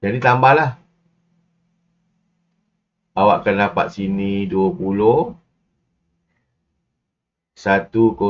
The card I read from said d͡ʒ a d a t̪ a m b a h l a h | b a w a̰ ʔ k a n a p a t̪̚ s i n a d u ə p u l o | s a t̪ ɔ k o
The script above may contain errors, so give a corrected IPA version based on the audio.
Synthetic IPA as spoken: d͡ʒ a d i t̪ a m b a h l a h | b a w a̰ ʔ k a n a p a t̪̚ s i n i d u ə p u l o | s a t̪ u k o